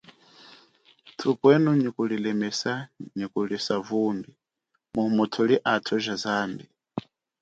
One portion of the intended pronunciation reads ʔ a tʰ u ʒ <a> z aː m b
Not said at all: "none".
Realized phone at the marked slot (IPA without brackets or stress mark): a